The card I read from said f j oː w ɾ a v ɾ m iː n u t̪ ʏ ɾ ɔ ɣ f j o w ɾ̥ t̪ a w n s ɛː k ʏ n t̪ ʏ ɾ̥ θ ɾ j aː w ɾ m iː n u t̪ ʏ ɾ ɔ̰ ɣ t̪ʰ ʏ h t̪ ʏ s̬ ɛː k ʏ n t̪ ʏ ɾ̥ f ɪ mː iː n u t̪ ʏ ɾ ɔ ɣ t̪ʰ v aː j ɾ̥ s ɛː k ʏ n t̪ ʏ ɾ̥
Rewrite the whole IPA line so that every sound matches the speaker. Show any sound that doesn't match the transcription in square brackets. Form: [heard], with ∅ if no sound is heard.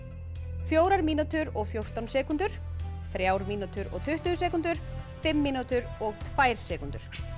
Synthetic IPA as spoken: f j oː w ɾ a [∅] ɾ m iː n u t̪ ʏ ɾ ɔ ɣ f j o w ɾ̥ t̪ a w n s ɛː k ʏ n t̪ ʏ ɾ̥ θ ɾ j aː w ɾ m iː n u t̪ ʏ ɾ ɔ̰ ɣ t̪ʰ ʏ h t̪ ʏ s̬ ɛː k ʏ n t̪ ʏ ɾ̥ f ɪ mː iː n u t̪ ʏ ɾ ɔ ɣ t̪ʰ v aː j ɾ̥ s ɛː k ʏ n t̪ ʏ ɾ̥

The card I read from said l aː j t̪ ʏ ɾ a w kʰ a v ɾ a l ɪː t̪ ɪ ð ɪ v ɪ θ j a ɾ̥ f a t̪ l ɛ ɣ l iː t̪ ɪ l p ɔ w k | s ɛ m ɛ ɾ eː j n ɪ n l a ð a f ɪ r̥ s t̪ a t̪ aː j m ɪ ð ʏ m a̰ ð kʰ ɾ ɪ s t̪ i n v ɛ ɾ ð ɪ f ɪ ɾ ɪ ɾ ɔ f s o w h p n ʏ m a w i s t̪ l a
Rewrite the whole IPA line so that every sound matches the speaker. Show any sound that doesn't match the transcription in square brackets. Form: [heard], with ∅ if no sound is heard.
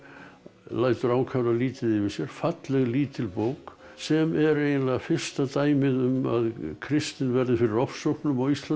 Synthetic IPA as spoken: l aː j t̪ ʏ ɾ a w kʰ a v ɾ a l [iː] t̪ ɪ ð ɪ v ɪ [s] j [ɛ] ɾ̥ f a t̪ l ɛ ɣ l iː t̪ ɪ l p [o] w k | s ɛ m ɛ ɾ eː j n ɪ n l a [ɣ] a f ɪ r̥ s t̪ a t̪ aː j m ɪ ð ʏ m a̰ ð kʰ ɾ ɪ s t̪ [ɪ] n v ɛ ɾ ð ɪ f ɪ ɾ ɪ ɾ ɔ f s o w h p n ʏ m a w i s t̪ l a

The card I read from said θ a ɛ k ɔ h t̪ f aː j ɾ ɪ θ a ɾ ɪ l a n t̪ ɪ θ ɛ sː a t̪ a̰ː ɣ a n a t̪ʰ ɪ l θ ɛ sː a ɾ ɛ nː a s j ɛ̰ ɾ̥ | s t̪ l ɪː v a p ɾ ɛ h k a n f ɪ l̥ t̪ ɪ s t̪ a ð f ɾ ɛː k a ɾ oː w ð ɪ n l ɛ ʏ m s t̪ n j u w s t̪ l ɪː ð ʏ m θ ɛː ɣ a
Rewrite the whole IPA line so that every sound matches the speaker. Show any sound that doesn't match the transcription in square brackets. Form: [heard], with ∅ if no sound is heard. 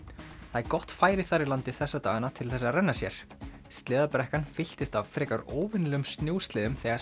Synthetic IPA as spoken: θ a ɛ k ɔ h t̪ f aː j ɾ ɪ θ a ɾ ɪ l a n t̪ ɪ θ ɛ sː a t̪ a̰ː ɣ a n a t̪ʰ ɪ l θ ɛ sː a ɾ ɛ nː a s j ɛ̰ ɾ̥ | s t̪ l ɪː [ð] a p ɾ ɛ h k a n f ɪ l̥ t̪ ɪ s t̪ a [v] f ɾ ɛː k a ɾ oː w [v] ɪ n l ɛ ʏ m s t̪ n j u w s t̪ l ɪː ð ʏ m θ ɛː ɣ a

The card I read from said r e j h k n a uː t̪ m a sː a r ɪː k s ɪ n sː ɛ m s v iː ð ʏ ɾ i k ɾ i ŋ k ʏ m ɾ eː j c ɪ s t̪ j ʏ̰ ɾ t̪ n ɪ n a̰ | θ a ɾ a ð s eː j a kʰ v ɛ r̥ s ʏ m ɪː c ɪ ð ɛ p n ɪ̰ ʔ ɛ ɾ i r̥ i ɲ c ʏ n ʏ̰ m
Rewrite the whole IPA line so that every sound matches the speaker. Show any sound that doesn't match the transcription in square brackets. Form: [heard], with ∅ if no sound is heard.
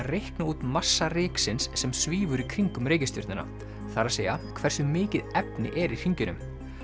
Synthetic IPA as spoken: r e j h k n a uː t̪ m a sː a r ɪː k s ɪ n sː ɛ m s v iː [v] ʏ ɾ i [kʰ] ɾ i ŋ k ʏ m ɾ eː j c ɪ s t̪ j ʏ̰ ɾ t̪ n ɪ n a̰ | θ a ɾ a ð s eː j a kʰ v ɛ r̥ s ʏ m ɪː c ɪ ð ɛ p n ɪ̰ ʔ ɛ ɾ i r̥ i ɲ c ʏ n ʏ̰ m

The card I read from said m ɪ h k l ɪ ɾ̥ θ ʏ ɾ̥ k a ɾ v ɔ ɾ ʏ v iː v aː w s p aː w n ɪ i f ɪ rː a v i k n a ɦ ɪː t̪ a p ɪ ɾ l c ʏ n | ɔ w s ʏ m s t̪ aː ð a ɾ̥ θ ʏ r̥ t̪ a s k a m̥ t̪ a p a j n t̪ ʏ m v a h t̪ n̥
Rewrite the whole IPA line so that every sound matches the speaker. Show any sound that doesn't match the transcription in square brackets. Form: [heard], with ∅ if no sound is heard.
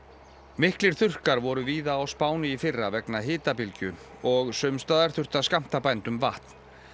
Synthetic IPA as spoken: m ɪ h k l ɪ ɾ̥ θ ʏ [r̥] k a ɾ v ɔ ɾ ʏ v iː [ð] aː w s p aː w n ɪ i f ɪ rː a v [ɛ] k n a ɦ ɪː t̪ a p ɪ [∅] l c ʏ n | ɔ [ɣ] s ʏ m s t̪ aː ð a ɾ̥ θ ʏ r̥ t̪ a s k a m̥ t̪ a p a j n t̪ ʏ m v a h t̪ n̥

